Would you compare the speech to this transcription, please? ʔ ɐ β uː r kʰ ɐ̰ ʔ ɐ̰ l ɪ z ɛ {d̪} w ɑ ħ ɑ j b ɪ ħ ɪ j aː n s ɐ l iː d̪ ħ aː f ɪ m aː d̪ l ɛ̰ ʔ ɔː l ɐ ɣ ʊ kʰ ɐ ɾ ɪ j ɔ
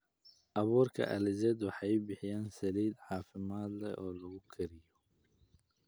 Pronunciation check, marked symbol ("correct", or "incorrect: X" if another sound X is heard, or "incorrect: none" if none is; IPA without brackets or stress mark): correct